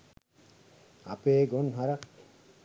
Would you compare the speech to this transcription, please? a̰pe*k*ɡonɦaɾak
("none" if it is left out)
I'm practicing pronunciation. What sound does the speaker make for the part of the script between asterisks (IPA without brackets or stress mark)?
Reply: none